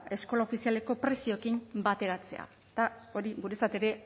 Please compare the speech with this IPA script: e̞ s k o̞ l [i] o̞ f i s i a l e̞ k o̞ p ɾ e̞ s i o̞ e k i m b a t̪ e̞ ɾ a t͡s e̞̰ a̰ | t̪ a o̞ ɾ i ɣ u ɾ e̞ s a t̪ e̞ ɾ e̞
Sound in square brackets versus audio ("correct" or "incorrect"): incorrect